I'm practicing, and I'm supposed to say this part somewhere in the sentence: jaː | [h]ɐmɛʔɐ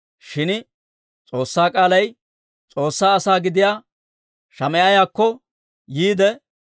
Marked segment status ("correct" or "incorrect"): incorrect